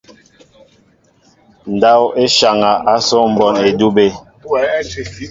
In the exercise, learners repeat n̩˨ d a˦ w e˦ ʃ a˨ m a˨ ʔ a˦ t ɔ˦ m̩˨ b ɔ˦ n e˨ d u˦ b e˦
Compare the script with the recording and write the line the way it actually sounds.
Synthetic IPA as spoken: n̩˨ d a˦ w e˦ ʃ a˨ ŋ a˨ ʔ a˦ s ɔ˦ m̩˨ b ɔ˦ n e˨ d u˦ b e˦

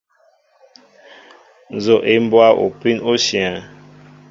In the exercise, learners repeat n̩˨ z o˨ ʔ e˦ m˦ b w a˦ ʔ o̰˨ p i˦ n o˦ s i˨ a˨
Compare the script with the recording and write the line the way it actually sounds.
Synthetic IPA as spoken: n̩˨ z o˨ ʔ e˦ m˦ b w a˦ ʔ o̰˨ p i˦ n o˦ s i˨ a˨

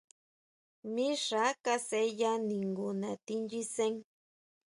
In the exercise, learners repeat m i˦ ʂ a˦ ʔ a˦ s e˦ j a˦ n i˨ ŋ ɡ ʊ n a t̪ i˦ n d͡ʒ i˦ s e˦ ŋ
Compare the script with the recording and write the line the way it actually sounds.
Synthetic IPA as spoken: m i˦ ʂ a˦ k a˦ s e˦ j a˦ n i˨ ŋ ɡ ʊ n a t̪ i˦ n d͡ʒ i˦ s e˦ ŋ

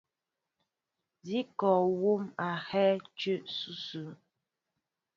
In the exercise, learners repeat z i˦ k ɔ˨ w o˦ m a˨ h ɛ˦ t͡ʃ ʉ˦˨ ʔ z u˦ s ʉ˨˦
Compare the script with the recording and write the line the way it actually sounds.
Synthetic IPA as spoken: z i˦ k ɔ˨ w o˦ m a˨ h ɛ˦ t͡ʃ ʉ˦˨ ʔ s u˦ s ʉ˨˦

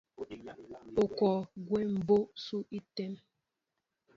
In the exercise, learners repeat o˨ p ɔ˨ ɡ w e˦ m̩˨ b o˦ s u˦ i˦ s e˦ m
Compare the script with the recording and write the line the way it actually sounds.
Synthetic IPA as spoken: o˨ k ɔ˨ ɡ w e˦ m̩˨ b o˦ s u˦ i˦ t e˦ m

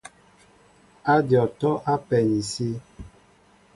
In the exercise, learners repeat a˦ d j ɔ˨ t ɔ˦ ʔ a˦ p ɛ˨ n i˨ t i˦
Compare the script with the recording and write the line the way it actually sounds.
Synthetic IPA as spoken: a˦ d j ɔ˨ t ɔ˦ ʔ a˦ p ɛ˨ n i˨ s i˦

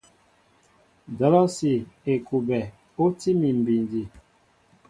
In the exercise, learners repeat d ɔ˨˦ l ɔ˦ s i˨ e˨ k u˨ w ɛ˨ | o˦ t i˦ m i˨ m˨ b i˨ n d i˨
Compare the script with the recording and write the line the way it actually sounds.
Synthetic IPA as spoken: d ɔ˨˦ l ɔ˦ s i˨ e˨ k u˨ b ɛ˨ | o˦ t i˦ m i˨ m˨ b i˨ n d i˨

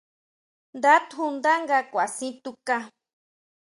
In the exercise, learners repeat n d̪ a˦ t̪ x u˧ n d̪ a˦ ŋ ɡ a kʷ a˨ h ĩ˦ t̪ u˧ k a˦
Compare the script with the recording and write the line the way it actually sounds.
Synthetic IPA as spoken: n d̪ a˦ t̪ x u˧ n d̪ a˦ ŋ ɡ a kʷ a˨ s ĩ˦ t̪ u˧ k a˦

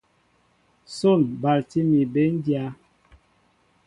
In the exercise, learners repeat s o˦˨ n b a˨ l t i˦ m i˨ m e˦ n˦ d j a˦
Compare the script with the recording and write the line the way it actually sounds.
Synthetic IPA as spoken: s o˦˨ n b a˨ l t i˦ m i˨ b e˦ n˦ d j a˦

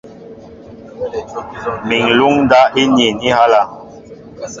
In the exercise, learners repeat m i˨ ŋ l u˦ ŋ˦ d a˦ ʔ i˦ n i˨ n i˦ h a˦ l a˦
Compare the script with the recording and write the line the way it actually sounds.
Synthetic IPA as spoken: m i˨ ŋ l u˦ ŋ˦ d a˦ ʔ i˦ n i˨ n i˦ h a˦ l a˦

